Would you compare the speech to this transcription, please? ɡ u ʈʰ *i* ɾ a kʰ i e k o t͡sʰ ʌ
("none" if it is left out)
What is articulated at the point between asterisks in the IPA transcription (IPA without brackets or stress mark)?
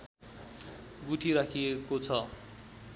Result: i